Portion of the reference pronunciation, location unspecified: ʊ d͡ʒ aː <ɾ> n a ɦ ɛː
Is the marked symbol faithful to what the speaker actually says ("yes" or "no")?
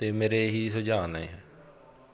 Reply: no